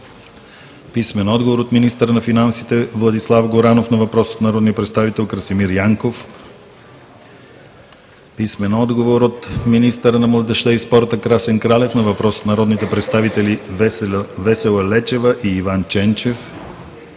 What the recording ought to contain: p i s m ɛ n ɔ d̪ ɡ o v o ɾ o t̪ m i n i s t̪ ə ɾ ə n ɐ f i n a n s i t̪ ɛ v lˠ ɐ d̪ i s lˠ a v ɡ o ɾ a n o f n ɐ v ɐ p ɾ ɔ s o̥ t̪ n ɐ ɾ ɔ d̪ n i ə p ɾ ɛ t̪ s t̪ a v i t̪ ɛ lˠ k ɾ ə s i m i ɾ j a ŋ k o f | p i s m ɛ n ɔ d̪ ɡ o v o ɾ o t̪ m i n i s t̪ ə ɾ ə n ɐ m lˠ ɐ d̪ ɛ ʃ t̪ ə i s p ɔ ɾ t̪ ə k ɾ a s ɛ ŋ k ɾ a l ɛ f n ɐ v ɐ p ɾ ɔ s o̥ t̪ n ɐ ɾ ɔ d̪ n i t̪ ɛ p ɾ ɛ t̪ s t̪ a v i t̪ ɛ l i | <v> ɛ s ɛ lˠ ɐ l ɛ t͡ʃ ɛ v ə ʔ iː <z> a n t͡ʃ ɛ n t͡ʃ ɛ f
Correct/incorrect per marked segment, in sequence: correct, incorrect: v

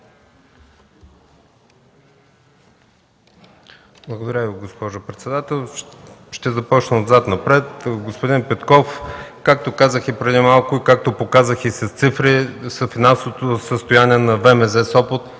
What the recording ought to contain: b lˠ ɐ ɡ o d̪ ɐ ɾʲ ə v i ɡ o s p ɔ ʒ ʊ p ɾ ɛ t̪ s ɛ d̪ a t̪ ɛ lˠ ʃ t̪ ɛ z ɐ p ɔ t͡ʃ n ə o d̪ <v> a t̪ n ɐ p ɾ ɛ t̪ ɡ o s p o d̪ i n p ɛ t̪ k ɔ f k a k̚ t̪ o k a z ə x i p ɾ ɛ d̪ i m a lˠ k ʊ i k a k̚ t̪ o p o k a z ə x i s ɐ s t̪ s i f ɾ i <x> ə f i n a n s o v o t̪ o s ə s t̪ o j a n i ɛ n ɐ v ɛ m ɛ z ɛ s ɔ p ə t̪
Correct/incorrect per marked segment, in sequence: incorrect: z, incorrect: s

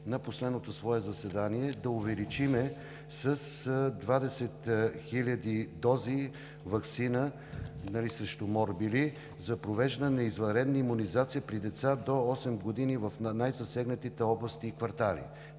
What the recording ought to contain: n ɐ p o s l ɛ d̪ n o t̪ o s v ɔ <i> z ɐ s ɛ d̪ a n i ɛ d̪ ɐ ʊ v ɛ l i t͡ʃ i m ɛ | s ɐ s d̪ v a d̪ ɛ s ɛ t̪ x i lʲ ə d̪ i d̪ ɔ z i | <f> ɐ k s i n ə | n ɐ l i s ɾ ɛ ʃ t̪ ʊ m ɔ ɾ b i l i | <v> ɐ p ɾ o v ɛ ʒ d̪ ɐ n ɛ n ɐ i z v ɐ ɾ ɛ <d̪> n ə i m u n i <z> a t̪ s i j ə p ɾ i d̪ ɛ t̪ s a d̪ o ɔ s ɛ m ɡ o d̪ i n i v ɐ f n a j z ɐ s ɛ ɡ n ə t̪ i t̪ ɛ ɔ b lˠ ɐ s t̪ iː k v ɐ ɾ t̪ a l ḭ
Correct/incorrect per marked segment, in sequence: incorrect: ɛ, incorrect: v, incorrect: z, correct, correct

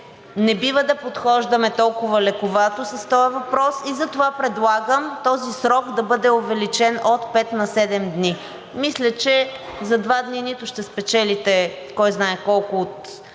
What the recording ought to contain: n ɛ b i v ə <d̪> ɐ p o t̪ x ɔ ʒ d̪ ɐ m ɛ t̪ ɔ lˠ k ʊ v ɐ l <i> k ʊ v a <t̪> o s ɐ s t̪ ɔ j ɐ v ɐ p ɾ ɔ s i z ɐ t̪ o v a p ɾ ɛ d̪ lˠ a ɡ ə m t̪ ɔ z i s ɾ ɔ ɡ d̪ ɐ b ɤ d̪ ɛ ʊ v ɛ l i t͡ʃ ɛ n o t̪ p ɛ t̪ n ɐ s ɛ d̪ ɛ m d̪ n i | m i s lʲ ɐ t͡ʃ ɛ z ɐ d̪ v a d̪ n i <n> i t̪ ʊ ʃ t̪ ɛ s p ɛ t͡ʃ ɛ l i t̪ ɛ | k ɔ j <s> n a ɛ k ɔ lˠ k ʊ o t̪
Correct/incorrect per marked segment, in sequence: correct, incorrect: ɛ, correct, correct, incorrect: z

